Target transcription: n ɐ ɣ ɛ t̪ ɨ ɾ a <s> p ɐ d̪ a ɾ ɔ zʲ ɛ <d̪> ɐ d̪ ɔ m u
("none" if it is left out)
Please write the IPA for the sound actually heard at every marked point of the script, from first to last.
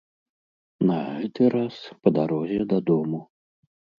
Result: s, d̪

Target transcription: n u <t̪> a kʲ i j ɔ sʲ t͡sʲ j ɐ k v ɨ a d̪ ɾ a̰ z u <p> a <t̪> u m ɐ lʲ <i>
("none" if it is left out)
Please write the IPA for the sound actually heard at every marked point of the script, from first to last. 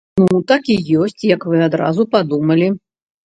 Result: t̪, p, d̪, i

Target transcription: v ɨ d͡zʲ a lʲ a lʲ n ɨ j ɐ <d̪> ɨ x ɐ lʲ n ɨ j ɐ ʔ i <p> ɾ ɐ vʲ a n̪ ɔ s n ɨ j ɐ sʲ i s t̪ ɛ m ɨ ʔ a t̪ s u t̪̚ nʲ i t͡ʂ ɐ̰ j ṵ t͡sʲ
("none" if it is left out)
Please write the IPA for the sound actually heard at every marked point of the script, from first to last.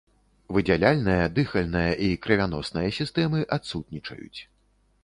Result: d̪, k

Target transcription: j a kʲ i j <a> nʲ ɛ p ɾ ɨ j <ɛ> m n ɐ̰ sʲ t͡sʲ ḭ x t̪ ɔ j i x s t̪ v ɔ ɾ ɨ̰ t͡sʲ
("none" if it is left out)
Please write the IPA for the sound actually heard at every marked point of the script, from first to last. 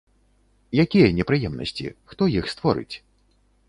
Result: ɐ, ɛ

